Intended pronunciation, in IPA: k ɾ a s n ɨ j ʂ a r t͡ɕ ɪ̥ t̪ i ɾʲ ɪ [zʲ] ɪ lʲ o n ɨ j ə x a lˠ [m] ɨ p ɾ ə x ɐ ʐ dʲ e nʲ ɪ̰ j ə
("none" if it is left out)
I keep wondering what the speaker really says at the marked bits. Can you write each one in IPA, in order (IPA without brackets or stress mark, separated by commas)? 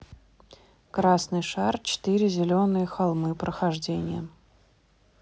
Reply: zʲ, m